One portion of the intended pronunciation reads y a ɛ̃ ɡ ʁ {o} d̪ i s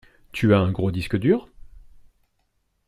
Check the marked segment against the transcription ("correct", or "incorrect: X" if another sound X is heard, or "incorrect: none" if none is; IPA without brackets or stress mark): correct